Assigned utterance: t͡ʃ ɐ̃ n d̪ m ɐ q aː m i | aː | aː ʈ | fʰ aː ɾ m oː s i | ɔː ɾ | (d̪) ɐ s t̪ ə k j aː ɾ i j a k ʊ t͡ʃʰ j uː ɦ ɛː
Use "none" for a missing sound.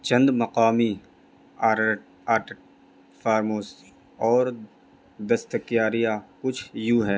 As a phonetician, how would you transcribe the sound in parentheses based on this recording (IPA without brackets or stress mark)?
d̪